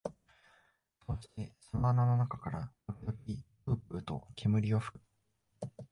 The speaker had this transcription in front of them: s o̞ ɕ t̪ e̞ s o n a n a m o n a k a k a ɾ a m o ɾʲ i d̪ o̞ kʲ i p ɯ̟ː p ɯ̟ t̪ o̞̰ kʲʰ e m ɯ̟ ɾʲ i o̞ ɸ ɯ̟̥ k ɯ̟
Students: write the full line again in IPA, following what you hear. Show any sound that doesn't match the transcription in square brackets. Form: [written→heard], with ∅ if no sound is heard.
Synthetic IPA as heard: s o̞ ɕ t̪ e̞ s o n a n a [m→n] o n a k a k a ɾ a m o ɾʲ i d̪ o̞ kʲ i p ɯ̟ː p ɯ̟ t̪ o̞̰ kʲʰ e m ɯ̟ ɾʲ i o̞ ɸ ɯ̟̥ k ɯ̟